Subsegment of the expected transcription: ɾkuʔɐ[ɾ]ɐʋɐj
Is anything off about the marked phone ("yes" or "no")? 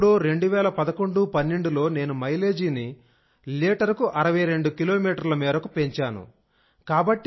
no